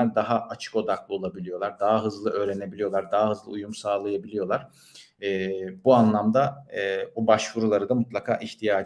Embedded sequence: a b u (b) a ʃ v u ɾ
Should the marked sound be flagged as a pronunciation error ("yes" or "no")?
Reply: no